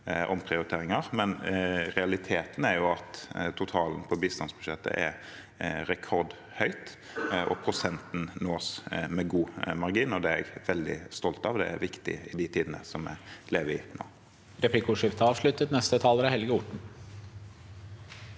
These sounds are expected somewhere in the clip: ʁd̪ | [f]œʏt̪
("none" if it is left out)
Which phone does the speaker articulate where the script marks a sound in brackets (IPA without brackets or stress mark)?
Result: h